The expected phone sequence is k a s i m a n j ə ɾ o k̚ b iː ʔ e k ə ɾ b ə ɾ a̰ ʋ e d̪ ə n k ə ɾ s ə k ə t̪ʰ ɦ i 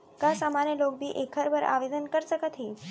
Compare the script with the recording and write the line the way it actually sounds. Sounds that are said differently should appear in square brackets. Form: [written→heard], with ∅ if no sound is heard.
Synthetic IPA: k a s [i→a] m a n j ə [ɾ→l] o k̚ b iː ʔ e [k→kʰ] ə ɾ b ə ɾ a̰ ʋ e d̪ ə n k ə ɾ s ə k ə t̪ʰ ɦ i